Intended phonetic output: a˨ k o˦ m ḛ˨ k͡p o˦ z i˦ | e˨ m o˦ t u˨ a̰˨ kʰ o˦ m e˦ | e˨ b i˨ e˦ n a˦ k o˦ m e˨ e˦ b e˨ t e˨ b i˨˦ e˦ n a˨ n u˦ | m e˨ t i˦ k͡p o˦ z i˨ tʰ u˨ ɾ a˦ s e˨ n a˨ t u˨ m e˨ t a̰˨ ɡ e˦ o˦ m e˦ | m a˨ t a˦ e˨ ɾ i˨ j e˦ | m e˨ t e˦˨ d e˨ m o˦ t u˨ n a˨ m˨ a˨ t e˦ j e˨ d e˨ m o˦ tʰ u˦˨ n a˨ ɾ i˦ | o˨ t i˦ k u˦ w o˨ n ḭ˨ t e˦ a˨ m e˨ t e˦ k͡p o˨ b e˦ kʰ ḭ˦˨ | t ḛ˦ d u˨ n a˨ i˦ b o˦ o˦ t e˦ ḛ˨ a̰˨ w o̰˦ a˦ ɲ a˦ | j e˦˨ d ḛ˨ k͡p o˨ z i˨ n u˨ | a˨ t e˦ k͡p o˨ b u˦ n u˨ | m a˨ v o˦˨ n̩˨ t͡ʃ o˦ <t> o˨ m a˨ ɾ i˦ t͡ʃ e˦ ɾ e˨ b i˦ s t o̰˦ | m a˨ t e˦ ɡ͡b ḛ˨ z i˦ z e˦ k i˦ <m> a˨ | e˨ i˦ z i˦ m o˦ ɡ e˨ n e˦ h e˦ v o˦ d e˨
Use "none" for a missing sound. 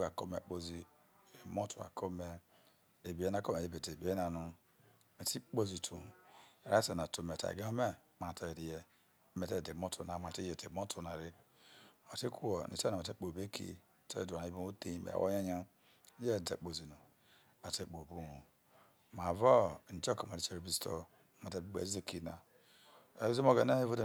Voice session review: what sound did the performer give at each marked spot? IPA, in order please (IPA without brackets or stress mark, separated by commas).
k, n